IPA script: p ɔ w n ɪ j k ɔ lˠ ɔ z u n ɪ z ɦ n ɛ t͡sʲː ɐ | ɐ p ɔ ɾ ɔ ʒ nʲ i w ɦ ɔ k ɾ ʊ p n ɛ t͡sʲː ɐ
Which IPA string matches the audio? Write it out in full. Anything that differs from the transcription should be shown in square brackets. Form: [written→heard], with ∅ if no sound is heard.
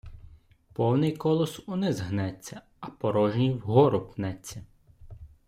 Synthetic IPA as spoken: p ɔ w n ɪ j k ɔ lˠ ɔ [z→s] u n ɪ z ɦ n ɛ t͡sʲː ɐ | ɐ p ɔ ɾ ɔ ʒ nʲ i w ɦ ɔ [k→∅] ɾ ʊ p n ɛ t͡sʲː ɐ